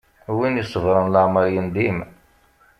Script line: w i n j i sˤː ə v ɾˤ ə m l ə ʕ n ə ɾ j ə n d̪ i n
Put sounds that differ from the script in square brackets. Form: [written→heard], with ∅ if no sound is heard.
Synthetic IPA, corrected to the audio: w i n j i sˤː ə v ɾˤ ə [m→n] l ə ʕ [n→m] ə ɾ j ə n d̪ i [n→m]

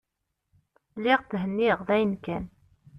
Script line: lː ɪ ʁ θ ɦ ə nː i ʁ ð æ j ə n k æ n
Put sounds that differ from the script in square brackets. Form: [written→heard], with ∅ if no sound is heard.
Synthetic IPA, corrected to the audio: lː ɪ ʁ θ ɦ ə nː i ʁ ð æ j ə n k æ n

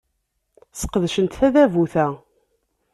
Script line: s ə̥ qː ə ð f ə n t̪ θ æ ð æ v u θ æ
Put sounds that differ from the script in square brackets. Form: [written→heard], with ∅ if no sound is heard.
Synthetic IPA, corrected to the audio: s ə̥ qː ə ð [f→ʃ] ə n t̪ θ æ ð æ v u θ æ

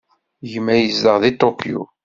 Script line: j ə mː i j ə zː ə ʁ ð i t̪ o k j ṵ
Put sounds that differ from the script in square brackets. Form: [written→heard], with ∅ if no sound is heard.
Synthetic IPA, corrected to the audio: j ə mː [i→æ] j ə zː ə ʁ ð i t̪ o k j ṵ

